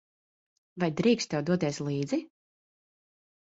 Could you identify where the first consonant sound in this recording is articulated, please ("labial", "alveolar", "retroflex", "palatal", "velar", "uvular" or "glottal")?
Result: labial